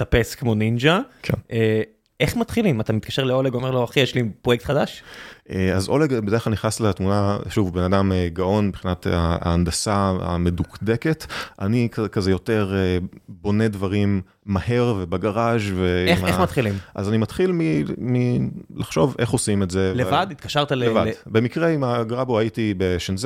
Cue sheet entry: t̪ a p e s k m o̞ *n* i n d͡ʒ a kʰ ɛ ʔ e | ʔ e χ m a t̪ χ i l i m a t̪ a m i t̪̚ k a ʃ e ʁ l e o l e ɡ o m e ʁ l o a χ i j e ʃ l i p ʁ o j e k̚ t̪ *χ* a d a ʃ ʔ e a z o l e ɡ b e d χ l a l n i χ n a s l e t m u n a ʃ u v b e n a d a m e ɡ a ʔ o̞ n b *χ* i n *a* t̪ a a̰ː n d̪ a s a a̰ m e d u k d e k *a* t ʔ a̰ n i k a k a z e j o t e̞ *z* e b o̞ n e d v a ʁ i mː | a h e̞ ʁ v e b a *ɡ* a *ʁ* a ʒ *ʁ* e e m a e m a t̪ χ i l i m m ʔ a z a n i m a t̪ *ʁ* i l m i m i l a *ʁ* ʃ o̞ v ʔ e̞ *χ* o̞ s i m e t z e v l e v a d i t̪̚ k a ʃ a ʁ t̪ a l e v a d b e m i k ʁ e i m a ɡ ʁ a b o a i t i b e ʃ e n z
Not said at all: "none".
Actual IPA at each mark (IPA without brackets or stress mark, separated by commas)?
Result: n, χ, χ, a, e, ʁ, ɡ, ʁ, v, χ, χ, χ